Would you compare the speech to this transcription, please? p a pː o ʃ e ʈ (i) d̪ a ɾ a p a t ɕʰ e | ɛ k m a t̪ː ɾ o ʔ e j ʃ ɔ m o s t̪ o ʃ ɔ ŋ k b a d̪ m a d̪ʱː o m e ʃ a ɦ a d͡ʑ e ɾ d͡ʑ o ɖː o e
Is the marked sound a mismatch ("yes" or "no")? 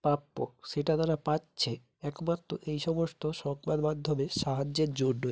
yes